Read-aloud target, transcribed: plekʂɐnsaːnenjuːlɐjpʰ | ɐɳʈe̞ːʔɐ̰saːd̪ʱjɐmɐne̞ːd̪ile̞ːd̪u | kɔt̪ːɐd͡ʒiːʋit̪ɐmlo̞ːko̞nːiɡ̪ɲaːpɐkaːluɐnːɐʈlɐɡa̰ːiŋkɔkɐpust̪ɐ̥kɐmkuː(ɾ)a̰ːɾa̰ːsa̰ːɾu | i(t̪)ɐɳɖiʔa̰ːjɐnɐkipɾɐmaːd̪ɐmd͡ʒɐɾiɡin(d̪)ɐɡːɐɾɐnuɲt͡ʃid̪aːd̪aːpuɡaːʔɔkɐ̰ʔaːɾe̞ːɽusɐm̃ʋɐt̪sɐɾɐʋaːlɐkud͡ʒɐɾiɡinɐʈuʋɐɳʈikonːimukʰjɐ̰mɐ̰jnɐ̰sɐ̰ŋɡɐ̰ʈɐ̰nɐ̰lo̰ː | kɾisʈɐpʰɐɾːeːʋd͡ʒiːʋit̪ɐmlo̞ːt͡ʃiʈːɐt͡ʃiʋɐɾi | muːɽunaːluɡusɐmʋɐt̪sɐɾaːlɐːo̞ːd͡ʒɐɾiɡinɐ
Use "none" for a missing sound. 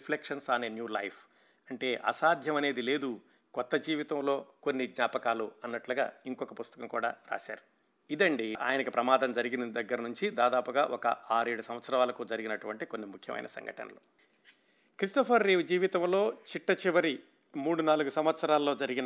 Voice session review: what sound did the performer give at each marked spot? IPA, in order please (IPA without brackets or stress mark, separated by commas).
ɽ, d̪, d̪